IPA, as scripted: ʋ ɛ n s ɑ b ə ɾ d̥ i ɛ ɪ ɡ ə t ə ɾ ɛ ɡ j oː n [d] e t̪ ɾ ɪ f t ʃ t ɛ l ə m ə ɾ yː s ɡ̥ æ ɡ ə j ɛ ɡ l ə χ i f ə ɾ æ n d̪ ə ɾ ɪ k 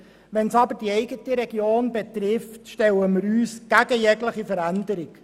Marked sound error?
yes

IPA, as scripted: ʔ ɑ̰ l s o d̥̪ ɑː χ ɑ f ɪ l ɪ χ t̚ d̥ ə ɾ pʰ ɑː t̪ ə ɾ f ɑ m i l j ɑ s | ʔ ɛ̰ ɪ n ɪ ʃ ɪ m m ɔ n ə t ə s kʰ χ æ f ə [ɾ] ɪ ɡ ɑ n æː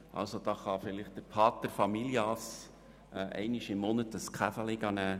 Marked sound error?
yes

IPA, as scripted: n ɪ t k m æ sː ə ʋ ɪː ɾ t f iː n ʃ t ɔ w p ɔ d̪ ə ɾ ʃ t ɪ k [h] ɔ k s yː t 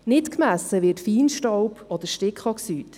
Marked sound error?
yes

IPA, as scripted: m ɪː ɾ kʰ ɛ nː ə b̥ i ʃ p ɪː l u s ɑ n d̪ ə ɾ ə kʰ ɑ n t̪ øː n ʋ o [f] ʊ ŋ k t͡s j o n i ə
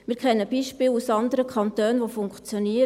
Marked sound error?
no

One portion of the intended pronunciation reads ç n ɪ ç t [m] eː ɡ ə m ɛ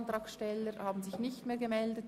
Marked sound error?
no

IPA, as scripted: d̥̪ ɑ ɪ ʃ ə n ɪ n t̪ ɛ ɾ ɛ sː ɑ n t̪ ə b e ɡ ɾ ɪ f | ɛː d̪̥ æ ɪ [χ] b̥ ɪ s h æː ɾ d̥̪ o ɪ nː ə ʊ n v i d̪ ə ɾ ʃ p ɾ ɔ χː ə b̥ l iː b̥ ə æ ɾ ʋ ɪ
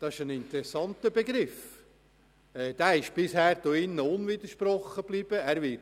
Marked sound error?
yes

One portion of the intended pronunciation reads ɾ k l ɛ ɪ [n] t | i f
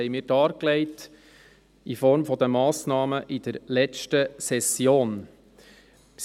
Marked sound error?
yes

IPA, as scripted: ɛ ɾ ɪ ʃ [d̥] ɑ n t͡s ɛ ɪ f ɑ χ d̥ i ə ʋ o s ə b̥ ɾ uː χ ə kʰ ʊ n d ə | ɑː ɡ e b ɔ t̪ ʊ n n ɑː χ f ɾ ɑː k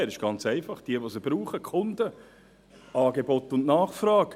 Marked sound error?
yes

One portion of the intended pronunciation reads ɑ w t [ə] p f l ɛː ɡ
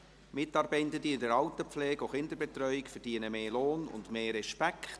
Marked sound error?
no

